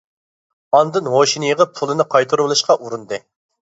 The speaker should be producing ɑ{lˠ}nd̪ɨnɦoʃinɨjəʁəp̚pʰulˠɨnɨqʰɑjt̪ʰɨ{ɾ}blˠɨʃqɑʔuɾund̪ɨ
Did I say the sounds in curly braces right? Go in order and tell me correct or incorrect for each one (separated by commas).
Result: incorrect, correct